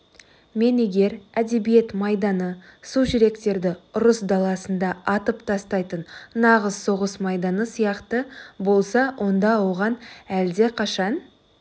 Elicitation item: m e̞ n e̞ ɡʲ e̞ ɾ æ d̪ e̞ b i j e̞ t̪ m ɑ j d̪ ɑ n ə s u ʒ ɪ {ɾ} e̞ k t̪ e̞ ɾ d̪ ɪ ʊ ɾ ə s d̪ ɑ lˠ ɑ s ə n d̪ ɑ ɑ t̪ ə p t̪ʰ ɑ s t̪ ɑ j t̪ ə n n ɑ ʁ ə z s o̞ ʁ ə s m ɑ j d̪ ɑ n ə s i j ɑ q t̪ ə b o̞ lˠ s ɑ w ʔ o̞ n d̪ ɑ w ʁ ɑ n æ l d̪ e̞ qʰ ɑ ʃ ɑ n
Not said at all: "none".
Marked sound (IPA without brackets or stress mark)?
ɾ